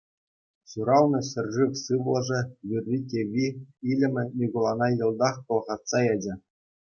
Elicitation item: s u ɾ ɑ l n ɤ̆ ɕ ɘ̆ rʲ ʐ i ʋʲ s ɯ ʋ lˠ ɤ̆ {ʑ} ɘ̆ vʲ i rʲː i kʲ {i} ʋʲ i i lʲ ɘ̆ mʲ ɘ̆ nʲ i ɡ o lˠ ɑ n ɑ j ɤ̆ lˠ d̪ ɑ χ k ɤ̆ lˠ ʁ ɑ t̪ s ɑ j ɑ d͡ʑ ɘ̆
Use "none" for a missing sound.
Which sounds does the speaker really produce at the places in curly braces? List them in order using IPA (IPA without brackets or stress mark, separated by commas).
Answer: ʐ, e